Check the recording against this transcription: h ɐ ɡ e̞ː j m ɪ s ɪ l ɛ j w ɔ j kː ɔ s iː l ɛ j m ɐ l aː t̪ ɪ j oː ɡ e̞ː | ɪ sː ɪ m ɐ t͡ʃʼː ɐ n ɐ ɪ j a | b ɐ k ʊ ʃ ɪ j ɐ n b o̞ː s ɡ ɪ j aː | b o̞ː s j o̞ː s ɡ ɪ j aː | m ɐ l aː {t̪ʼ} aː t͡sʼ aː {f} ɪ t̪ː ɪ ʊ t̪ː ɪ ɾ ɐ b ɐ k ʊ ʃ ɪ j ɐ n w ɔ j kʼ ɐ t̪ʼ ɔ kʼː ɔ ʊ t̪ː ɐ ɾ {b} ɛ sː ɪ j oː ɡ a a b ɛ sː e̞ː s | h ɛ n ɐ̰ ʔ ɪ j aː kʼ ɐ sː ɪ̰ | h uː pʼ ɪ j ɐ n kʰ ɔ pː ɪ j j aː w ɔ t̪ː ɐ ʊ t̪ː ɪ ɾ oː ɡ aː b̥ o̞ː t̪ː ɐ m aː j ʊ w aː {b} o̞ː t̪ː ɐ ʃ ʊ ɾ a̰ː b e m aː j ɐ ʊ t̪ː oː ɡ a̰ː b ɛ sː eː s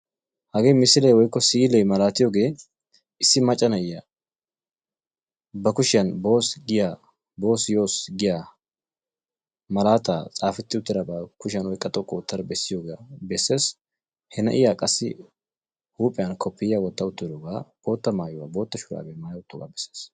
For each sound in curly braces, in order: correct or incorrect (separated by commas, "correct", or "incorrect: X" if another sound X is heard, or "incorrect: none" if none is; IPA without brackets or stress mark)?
incorrect: t̪, correct, correct, correct